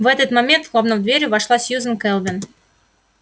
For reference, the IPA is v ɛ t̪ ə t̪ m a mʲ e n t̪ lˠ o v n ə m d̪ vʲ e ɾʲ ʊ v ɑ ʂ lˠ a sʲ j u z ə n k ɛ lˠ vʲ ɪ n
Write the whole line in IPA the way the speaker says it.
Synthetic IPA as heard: v ɛ t̪ ə t̪ m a mʲ e n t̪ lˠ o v n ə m d̪ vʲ e ɾʲ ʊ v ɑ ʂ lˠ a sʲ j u z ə n k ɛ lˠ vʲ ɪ n